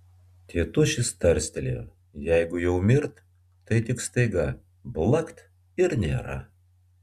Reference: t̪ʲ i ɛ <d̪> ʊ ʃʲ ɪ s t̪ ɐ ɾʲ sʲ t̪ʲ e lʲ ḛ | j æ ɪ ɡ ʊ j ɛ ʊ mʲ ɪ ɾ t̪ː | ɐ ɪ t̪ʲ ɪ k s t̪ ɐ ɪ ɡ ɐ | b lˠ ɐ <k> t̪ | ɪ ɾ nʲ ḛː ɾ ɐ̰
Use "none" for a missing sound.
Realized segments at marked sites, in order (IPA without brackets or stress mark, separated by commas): t̪, k